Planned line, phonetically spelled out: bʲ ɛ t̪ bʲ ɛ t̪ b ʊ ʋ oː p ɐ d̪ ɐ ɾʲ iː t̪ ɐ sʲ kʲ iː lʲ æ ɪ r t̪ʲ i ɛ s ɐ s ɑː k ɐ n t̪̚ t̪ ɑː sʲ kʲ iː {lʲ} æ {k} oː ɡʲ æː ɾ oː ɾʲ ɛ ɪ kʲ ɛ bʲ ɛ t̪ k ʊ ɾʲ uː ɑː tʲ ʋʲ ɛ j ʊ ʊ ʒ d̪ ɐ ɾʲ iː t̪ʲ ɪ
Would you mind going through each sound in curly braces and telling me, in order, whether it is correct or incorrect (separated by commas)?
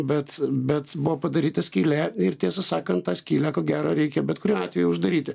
correct, correct